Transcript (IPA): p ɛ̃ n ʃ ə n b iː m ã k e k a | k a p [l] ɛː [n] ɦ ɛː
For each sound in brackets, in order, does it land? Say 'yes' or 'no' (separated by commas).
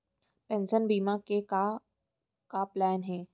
yes, yes